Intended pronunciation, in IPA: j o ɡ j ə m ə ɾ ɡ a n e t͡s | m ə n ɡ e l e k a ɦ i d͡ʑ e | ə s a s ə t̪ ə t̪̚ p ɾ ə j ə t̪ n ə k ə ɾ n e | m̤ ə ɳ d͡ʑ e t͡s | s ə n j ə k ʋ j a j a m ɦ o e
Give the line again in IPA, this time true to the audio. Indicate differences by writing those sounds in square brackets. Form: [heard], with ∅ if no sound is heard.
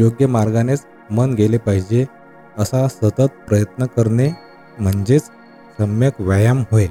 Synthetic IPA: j o ɡ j ə m [a] ɾ ɡ a n e t͡s | m ə n ɡ e l e [p] a ɦ i d͡ʑ e | ə s a s ə t̪ ə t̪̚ p ɾ ə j ə t̪ n ə k ə ɾ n e | m̤ ə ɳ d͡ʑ e t͡s | s ə [m] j ə k ʋ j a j a m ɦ o e